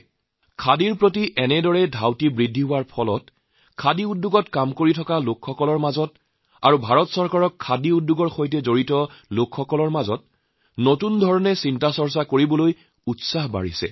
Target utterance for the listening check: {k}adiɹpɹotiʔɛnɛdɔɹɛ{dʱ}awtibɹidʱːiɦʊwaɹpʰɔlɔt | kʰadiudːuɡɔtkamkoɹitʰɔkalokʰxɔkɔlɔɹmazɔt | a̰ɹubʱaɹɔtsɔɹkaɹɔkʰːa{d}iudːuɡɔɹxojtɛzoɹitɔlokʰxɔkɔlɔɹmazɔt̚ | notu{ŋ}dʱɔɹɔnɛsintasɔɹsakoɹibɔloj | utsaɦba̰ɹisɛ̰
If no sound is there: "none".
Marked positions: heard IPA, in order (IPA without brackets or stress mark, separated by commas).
kʰ, dʱ, d, n